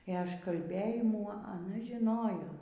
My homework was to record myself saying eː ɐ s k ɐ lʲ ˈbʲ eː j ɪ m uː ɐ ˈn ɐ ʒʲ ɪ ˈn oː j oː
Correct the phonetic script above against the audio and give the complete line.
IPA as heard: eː ɐ ʃ k ɐ lʲ ˈbʲ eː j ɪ m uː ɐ ˈn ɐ ʒʲ ɪ ˈn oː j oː